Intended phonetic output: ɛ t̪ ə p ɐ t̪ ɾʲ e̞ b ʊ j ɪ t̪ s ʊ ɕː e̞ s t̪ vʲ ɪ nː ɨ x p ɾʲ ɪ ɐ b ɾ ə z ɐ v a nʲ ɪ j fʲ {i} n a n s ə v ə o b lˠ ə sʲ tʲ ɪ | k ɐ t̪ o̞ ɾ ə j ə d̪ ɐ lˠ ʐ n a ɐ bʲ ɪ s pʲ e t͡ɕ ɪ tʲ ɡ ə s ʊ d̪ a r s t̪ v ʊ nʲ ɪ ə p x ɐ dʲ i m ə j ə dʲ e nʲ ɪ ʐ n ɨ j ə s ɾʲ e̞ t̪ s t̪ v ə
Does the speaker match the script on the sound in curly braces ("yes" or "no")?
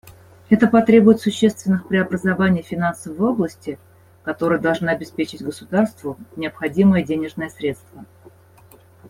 no